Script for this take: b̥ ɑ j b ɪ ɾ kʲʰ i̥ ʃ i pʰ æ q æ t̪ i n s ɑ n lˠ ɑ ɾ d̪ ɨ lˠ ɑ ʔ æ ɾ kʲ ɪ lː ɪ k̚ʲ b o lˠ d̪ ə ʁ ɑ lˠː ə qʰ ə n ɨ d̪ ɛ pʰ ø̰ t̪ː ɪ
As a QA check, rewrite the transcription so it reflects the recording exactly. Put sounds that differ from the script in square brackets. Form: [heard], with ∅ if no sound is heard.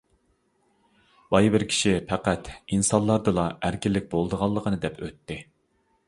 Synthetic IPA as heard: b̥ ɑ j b ɪ ɾ kʲʰ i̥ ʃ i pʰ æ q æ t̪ i n s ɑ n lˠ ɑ ɾ d̪ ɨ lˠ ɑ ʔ æ ɾ kʲ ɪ lː ɪ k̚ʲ b o lˠ d̪ ə ʁ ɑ lˠː ə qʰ ə n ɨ d̪ ɛ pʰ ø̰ t̪ː ɪ